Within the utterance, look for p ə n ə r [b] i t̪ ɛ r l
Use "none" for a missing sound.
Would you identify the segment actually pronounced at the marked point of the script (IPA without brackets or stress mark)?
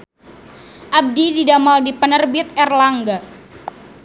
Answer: b